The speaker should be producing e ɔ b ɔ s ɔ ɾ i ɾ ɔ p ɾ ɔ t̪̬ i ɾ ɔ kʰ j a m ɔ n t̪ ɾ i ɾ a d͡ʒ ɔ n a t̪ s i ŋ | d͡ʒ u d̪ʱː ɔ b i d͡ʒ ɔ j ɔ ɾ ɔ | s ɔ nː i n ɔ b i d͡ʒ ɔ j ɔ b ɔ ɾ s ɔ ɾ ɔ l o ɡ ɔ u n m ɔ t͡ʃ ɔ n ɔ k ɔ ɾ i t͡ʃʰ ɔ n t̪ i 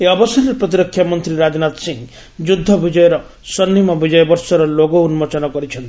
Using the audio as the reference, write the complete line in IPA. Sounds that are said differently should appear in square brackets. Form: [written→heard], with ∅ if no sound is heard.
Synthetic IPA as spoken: e ɔ b ɔ s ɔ ɾ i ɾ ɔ p ɾ ɔ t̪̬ i ɾ ɔ kʰ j a m ɔ n t̪ ɾ i ɾ a d͡ʒ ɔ n a t̪ s i ŋ | d͡ʒ u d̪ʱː ɔ b i d͡ʒ ɔ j ɔ ɾ ɔ | s ɔ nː i [n→m] ɔ b i d͡ʒ ɔ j ɔ b ɔ ɾ s ɔ ɾ ɔ l o ɡ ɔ u n m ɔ t͡ʃ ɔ n ɔ k ɔ ɾ i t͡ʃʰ ɔ n t̪ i